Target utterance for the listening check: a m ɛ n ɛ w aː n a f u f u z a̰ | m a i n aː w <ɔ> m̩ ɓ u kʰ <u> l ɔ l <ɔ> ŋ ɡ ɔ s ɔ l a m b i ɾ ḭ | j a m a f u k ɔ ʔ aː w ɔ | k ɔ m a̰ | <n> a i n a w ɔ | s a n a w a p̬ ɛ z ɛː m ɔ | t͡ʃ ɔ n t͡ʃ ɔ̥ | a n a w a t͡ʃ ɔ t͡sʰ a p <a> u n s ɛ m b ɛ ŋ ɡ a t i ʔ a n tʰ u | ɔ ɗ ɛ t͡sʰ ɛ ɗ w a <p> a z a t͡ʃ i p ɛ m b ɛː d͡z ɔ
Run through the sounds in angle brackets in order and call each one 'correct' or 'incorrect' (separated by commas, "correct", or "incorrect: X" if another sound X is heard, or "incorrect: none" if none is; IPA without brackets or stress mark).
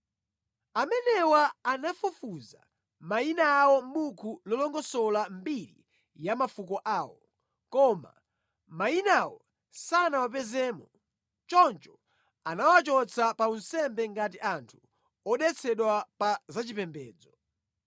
correct, correct, correct, incorrect: m, correct, correct